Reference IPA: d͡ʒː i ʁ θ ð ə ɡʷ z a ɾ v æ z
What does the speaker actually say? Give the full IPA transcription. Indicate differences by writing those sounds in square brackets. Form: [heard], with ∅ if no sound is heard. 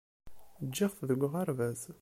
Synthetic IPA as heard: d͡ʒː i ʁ θ ð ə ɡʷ [ʁ] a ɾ v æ z